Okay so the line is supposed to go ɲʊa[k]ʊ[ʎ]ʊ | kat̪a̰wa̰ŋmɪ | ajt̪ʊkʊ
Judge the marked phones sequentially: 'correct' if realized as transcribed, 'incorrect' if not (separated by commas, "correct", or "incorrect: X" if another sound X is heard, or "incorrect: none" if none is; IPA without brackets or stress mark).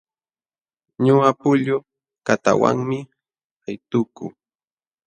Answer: incorrect: p, correct